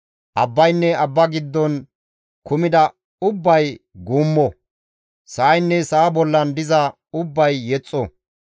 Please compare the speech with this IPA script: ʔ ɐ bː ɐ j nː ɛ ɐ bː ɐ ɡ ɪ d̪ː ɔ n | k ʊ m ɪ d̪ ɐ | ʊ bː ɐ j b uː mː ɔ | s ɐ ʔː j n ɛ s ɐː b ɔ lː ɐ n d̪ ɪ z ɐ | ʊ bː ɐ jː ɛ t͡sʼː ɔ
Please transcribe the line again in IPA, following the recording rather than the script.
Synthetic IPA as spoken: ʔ ɐ bː ɐ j nː ɛ ɐ bː ɐ ɡ ɪ d̪ː ɔ n | k ʊ m ɪ d̪ ɐ | ʊ bː ɐ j ɡ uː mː ɔ | s ɐ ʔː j nː ɛ s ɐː b ɔ lː ɐ n d̪ ɪ z ɐ | ʊ bː ɐ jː ɛ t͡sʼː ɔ